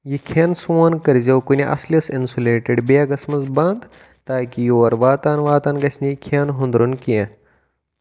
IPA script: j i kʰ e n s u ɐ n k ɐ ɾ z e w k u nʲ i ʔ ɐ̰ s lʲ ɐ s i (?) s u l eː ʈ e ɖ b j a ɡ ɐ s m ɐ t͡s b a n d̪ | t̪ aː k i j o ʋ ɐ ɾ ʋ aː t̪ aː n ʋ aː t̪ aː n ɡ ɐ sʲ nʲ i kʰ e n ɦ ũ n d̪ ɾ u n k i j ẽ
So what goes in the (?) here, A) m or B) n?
B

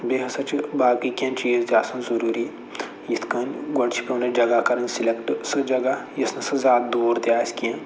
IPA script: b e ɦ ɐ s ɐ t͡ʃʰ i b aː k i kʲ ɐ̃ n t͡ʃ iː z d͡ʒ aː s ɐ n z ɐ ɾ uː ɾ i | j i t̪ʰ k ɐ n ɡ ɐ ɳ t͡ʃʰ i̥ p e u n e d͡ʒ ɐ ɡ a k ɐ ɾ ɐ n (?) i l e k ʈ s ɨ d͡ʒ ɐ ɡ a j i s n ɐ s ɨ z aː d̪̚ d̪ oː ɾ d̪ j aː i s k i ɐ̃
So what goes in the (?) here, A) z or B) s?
B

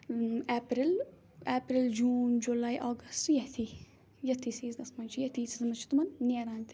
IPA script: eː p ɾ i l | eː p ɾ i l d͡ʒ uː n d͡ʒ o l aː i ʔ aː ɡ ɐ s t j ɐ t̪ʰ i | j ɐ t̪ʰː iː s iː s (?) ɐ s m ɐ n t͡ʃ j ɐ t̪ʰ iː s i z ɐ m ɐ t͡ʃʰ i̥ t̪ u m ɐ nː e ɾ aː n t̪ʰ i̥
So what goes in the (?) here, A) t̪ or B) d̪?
B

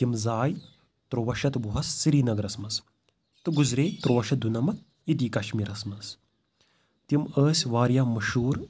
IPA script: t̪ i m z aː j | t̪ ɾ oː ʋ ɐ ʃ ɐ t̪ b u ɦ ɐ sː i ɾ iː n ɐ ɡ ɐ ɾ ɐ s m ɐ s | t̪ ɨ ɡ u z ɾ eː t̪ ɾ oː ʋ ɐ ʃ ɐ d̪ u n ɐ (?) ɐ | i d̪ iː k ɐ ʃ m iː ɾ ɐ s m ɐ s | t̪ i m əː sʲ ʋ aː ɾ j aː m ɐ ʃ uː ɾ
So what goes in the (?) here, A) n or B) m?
B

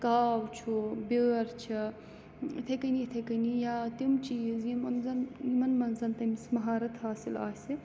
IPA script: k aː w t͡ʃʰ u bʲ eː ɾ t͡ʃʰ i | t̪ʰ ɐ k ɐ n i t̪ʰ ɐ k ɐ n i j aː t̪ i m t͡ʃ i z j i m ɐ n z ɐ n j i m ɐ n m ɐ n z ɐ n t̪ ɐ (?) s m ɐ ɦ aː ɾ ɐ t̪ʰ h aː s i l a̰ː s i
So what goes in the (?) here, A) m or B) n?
A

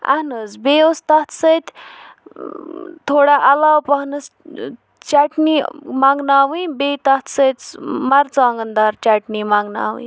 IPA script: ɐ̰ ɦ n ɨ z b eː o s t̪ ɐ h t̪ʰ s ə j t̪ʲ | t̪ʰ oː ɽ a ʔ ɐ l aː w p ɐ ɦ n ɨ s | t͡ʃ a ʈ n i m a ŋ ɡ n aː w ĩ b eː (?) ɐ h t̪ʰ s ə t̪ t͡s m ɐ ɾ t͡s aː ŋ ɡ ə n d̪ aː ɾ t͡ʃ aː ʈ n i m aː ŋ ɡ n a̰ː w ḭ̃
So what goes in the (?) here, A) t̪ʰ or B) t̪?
B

